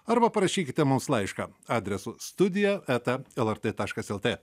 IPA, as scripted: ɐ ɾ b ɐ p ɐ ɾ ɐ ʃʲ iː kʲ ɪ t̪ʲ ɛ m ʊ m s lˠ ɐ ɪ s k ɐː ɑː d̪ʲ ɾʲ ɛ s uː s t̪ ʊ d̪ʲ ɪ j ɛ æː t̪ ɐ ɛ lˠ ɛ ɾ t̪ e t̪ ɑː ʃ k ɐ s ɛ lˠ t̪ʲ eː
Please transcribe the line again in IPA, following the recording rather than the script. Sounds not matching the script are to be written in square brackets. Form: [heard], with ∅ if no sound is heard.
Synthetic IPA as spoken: ɐ ɾ b ɐ p ɐ ɾ ɐ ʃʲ iː kʲ ɪ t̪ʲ ɛ m ʊ m s lˠ ɐ ɪ [ʃ] k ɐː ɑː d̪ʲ ɾʲ ɛ s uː s t̪ ʊ d̪ʲ ɪ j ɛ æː t̪ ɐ ɛ lˠ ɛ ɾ t̪ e t̪ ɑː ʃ k ɐ s ɛ lˠ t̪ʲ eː

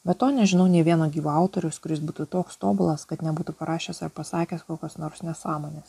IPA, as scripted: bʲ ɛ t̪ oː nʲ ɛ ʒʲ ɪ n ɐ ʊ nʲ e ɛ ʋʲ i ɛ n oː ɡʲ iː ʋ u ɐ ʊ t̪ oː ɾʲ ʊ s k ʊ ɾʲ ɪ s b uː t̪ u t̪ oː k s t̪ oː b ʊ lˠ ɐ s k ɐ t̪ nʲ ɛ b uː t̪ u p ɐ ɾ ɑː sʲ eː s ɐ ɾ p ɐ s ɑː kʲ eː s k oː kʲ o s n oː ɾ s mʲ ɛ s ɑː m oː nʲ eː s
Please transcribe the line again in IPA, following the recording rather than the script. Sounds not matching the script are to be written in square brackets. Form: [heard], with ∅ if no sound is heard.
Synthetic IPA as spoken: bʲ ɛ t̪ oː nʲ ɛ ʒʲ ɪ n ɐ ʊ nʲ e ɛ ʋʲ i ɛ n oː ɡʲ iː ʋ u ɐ ʊ t̪ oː ɾʲ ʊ s k ʊ ɾʲ ɪ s b uː t̪ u t̪ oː k s t̪ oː b ʊ lˠ ɐ s k ɐ t̪ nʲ ɛ b uː t̪ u p ɐ ɾ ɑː [ʃʲ] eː s ɐ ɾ p ɐ s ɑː kʲ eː s k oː kʲ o s n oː ɾ s [nʲ] ɛ s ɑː m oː nʲ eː s

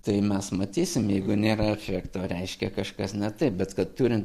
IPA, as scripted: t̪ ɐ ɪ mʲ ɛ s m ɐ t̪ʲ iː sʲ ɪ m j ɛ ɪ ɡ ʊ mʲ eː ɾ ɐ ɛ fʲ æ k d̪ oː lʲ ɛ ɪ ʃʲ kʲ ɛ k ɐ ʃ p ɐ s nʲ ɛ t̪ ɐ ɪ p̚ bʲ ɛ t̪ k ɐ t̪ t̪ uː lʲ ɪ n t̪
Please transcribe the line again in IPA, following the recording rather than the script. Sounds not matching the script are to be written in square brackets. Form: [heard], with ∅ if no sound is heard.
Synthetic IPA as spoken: t̪ ɐ ɪ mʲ ɛ s m ɐ t̪ʲ iː sʲ ɪ m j ɛ ɪ ɡ ʊ [nʲ] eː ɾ ɐ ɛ fʲ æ k [t̪] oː [ɾʲ] ɛ ɪ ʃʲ kʲ ɛ k ɐ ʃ [k] ɐ s nʲ ɛ t̪ ɐ ɪ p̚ bʲ ɛ t̪ k ɐ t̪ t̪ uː [ɾʲ] ɪ n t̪

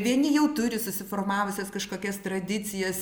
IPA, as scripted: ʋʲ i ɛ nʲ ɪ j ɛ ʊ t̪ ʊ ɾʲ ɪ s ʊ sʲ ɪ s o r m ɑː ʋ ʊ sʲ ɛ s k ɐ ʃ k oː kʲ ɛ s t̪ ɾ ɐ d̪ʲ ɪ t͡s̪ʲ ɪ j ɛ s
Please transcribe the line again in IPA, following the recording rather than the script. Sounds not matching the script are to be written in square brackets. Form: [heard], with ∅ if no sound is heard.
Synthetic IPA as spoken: ʋʲ i ɛ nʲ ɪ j ɛ ʊ t̪ ʊ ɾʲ ɪ s ʊ sʲ ɪ [f] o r m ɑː ʋ ʊ sʲ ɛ s k ɐ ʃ k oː kʲ ɛ s t̪ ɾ ɐ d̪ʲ ɪ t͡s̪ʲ ɪ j ɛ s

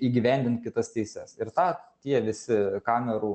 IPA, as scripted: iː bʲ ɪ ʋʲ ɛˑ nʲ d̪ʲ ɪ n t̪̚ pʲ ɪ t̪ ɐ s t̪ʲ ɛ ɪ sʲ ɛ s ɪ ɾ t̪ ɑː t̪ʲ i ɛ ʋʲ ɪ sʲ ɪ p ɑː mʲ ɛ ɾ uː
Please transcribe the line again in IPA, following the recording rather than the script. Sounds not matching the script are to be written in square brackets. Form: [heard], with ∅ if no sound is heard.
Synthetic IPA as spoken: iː [ɡʲ] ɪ ʋʲ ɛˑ nʲ d̪ʲ ɪ n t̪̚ [kʲ] ɪ t̪ ɐ s t̪ʲ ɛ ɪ sʲ ɛ s ɪ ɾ t̪ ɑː t̪ʲ i ɛ ʋʲ ɪ sʲ ɪ [k] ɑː mʲ ɛ ɾ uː

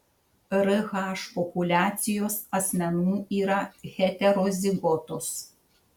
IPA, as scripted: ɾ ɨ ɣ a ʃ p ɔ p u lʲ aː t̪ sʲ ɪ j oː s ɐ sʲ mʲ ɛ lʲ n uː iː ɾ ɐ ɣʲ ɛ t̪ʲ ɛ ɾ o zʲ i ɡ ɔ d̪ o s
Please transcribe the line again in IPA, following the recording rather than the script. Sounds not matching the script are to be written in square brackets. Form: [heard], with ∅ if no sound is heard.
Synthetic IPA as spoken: ɾ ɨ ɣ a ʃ p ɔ p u lʲ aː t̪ sʲ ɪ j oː s ɐ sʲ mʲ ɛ [∅] n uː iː ɾ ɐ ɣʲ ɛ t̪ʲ ɛ ɾ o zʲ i ɡ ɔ [t̪] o s

